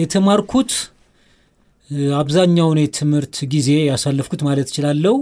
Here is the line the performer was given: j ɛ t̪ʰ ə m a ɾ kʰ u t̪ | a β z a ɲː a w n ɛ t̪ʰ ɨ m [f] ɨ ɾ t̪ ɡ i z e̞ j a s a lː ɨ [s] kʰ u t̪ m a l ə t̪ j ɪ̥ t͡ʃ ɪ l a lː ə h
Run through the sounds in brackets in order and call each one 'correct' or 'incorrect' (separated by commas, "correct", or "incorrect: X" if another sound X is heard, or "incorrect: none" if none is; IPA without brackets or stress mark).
incorrect: h, incorrect: f